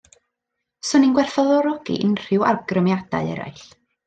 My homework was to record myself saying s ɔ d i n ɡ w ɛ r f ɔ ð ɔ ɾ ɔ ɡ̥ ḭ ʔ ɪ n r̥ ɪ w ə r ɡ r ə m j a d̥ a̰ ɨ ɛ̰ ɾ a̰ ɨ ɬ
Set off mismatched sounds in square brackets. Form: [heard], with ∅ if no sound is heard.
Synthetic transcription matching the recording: s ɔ [n] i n ɡ w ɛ r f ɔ ð ɔ ɾ ɔ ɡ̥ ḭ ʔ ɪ n r̥ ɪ w [a] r ɡ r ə m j a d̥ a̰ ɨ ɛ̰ ɾ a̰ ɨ ɬ